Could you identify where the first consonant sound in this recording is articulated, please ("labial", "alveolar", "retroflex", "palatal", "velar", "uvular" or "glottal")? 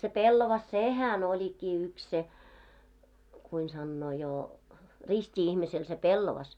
alveolar